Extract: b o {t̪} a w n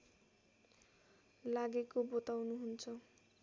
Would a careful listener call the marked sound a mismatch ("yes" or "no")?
no